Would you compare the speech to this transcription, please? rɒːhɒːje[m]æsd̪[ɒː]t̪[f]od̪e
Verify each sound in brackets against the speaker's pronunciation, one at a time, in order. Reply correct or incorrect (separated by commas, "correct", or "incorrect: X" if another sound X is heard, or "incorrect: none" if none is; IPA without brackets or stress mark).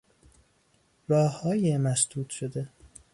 correct, incorrect: uː, incorrect: ʃ